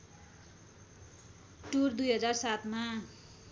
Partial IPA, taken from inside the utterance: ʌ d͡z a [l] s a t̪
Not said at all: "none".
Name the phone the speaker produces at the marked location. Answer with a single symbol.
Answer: r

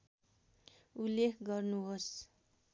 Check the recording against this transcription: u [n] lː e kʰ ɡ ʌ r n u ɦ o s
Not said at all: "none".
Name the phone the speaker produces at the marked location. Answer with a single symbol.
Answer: none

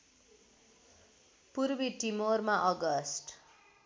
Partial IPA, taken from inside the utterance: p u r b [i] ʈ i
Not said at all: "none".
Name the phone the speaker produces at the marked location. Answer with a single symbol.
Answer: i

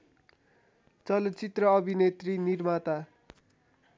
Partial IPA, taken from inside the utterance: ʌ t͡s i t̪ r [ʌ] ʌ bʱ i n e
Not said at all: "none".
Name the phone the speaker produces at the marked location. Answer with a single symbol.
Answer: ʌ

